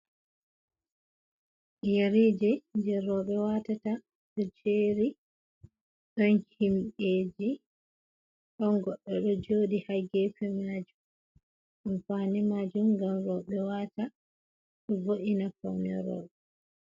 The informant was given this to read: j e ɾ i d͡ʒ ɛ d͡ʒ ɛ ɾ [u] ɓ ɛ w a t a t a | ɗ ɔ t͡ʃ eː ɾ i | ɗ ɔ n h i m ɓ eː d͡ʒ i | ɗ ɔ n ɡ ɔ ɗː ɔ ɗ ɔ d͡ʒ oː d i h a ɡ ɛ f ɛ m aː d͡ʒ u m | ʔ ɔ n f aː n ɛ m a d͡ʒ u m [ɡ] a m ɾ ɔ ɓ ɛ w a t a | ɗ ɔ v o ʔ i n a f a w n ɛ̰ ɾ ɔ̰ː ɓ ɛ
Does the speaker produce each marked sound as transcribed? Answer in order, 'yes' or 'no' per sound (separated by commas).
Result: no, yes